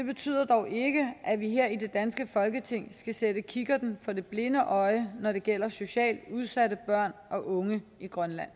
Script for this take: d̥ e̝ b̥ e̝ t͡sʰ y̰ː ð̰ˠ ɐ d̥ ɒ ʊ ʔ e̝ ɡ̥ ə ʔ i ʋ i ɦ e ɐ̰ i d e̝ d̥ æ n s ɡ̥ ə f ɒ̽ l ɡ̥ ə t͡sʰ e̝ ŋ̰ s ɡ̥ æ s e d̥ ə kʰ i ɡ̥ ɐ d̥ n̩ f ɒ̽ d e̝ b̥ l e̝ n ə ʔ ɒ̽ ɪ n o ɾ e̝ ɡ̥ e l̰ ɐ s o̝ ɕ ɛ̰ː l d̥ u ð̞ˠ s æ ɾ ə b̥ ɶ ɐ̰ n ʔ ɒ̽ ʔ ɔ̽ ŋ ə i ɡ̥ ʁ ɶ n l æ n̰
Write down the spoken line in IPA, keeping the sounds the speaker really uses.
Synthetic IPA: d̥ e̝ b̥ e̝ t͡sʰ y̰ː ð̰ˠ ɐ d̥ ɒ ʊ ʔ e̝ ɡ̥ ə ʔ æ ʋ i ɦ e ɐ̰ i d e̝ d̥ æ n s ɡ̥ ə f ɒ̽ l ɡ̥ ə t͡sʰ e̝ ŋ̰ s ɡ̥ æ s e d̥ ə kʰ i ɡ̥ ɐ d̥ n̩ f ɒ̽ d e̝ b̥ l e̝ n ə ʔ ɒ̽ ɪ n ɒ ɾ e̝ ɡ̥ e l̰ ɐ s o̝ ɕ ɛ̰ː l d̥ u ð̞ˠ s æ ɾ ə b̥ ɶ ɐ̰ n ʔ ɒ̽ ʔ ɔ̽ ŋ ə i ɡ̥ ʁ ɶ n l æ n̰